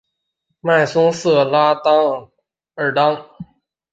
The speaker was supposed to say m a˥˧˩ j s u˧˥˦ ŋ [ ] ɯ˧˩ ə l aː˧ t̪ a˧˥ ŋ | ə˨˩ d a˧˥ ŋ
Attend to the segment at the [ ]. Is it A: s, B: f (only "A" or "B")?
A